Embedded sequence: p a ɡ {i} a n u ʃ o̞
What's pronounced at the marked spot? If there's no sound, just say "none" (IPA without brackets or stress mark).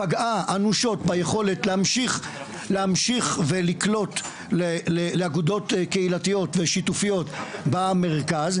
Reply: a